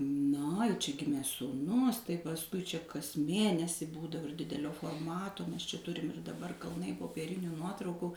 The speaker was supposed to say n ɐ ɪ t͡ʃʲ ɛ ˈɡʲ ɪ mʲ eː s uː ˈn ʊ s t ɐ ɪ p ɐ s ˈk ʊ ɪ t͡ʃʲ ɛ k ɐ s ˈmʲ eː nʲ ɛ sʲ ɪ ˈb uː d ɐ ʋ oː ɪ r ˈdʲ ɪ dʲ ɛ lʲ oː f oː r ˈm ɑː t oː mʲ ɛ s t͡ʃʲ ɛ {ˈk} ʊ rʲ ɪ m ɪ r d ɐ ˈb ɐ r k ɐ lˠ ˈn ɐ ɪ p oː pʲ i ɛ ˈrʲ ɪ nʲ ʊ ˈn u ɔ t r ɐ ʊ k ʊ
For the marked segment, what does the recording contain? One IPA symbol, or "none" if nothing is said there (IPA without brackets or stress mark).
t